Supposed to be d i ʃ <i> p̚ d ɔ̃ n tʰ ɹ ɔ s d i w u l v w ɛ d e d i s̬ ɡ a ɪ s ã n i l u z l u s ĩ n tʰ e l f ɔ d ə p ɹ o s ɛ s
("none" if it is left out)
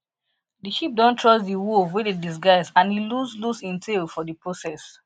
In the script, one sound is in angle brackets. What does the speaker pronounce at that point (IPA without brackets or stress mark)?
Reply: i